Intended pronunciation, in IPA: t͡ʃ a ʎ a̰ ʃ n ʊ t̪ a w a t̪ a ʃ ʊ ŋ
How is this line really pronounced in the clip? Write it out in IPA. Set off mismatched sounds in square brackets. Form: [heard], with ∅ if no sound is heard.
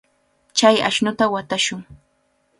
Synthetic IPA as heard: t͡ʃ a [j] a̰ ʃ n ʊ t̪ a w a t̪ a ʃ ʊ ŋ